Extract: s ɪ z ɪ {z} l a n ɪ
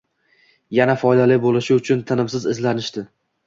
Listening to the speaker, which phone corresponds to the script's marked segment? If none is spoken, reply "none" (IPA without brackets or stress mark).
z